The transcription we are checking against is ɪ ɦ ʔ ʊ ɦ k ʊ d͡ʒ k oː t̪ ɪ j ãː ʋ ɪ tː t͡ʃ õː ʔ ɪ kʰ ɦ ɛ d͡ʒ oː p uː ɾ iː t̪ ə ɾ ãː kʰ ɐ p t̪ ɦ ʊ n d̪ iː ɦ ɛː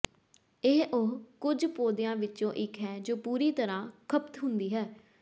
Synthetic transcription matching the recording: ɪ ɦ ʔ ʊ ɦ k ʊ d͡ʒ p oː d̪ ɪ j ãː ʋ ɪ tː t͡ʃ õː ʔ ɪ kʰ ɦ ɛː d͡ʒ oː p uː ɾ iː t̪ ə ɾ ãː kʰ ə p t̪ ɦ ʊ n d̪ iː ɦ ɛː

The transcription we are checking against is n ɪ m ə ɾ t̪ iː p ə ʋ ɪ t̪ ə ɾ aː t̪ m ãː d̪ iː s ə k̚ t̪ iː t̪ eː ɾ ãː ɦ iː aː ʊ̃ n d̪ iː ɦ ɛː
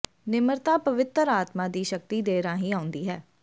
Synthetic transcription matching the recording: n ɪ m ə ɾ t̪ aː p ə ʋ ɪ t̪ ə ɾ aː t̪ m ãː d̪ iː ʃ ə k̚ t̪ iː d̪ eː ɾ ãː ɦ iː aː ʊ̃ n d̪ iː ɦ ɛː

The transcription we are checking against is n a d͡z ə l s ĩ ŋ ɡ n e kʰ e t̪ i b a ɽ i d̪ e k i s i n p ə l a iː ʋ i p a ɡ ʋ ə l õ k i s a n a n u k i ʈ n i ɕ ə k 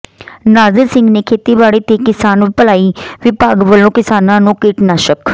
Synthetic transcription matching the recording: n a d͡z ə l s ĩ ŋ ɡ n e kʰ e t̪ i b a ɽ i t̪ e k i s a n p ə l a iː ʋ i p a ɡ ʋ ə l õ k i s a n a n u k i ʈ n a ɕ ə k

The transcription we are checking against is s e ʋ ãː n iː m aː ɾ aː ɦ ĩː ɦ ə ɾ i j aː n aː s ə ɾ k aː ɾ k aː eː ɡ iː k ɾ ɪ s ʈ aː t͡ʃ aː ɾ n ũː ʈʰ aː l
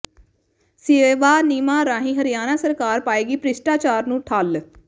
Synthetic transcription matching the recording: s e ʋ aː n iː m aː ɾ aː ɦ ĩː ɦ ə ɾ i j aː n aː s ə ɾ k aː ɾ p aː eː ɡ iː p ɾ ɪ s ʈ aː t͡ʃ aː ɾ n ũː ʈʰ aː l

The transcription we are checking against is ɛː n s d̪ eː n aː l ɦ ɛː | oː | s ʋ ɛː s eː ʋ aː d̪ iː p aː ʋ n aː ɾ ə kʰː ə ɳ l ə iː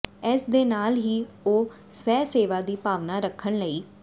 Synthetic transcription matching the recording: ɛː s d̪ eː n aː l ɦ iː | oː | s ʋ ɛː s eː ʋ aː d̪ iː p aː ʋ n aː ɾ ə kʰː ə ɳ l ə iː

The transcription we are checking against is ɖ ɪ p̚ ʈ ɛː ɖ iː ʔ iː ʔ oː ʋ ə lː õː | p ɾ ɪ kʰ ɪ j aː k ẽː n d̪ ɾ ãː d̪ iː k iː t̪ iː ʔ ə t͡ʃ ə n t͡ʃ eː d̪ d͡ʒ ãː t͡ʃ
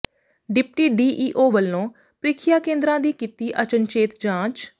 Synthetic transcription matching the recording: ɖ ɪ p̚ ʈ iː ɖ iː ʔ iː ʔ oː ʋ ə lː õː | p ɾ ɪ kʰ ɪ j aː k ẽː n d̪ ɾ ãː d̪ iː k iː t̪ iː ʔ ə t͡ʃ ə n t͡ʃ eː t̪ d͡ʒ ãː t͡ʃ

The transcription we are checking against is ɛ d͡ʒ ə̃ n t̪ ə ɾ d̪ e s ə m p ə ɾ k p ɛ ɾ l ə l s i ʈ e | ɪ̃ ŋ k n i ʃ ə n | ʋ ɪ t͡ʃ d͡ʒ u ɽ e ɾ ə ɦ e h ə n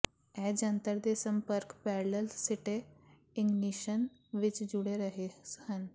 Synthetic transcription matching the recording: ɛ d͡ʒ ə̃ n t̪ ə ɾ d̪ e s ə m p ə ɾ k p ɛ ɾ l ə l s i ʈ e | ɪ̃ ŋ ɡ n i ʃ ə n | ʋ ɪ t͡ʃ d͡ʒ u ɽ e ɾ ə ɦ e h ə n

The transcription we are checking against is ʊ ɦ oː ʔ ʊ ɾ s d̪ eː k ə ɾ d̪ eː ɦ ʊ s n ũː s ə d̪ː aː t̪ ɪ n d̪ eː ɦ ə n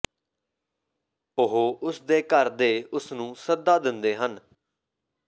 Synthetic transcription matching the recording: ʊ ɦ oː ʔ ʊ s d̪ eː k ə ɾ d̪ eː ʊ s n ũː s ə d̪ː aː d̪ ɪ n d̪ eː ɦ ə n

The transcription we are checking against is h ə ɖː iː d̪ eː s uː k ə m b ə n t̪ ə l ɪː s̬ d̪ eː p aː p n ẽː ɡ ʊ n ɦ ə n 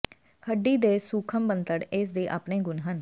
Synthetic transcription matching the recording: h ə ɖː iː d̪ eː s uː kʰ ə m b ə n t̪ ə ɽ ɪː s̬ d̪ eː ʔ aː p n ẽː ɡ ʊ n ɦ ə n

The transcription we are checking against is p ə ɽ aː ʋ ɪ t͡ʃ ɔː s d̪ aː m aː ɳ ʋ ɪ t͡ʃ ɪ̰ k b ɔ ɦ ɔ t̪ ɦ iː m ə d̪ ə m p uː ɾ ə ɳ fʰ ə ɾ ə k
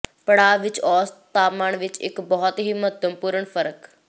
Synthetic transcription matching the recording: p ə ɽ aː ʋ ɪ t͡ʃ ɔː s t̪ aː m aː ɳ ʋ ɪ t͡ʃ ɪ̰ k b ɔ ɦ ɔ t̪ ɦ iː m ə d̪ ə m p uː ɾ ə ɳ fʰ ə ɾ ə k

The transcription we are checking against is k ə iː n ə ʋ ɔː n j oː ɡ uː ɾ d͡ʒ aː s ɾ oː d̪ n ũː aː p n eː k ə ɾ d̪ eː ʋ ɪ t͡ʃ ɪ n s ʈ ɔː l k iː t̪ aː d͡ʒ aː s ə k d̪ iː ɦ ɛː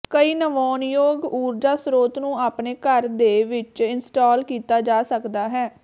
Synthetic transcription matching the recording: k ə iː n ə ʋ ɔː n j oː ɡ uː ɾ d͡ʒ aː s ɾ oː t̪ n ũː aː p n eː k ə ɾ d̪ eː ʋ ɪ t͡ʃ ɪ n s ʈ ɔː l k iː t̪ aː d͡ʒ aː s ə k d̪ aː ɦ ɛː

